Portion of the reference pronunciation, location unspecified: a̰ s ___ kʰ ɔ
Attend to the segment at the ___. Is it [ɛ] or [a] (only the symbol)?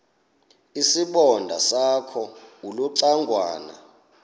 a